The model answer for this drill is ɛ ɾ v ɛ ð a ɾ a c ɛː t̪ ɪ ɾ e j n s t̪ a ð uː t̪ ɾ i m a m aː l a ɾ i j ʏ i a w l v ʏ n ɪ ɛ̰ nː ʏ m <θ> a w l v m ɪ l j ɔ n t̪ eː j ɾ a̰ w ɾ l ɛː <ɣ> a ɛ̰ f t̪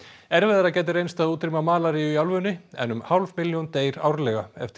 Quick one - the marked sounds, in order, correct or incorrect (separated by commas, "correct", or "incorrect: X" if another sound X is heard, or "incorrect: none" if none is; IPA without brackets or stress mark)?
incorrect: h, correct